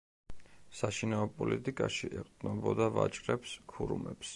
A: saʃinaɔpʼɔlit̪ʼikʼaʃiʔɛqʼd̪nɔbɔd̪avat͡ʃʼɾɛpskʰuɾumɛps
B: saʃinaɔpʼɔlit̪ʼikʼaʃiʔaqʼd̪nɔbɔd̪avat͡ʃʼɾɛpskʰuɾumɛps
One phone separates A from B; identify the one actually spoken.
A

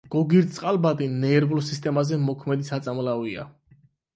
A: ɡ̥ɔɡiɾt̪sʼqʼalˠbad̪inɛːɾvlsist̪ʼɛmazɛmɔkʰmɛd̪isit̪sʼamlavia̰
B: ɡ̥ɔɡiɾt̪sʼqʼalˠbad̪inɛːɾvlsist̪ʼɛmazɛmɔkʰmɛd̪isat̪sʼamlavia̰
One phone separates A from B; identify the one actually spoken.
B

